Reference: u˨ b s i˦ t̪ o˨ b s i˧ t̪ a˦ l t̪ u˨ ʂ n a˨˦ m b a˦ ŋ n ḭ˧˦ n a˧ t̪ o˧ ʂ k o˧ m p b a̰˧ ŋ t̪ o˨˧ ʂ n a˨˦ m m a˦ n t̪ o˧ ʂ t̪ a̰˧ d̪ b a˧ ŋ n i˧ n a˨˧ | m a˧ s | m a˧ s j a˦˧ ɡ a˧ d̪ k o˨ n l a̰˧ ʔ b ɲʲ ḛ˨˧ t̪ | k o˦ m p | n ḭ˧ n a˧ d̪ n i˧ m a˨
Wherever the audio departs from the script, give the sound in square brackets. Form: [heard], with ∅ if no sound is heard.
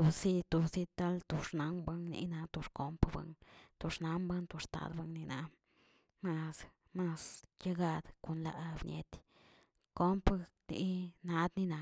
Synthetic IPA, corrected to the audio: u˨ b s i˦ t̪ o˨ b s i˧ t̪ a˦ l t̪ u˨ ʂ n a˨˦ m b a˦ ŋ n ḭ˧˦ n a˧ t̪ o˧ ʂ k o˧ m p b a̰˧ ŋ t̪ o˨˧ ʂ n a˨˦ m [b] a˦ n t̪ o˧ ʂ t̪ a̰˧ d̪ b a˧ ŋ n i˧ n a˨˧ | m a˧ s | m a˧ s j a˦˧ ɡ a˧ d̪ k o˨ n l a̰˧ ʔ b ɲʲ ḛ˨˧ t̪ | k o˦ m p | n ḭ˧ n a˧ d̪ n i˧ [n] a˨